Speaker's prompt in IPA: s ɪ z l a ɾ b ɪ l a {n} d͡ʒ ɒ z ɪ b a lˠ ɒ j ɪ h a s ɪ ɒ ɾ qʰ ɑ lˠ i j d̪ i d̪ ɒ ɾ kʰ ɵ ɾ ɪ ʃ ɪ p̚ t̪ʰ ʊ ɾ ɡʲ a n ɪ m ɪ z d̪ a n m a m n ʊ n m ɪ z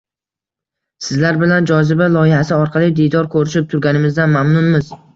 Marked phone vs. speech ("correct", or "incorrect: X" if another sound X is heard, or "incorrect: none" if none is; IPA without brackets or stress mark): correct